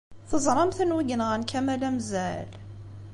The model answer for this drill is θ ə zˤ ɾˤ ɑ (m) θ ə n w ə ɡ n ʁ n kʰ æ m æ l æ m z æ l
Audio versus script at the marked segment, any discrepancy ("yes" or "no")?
no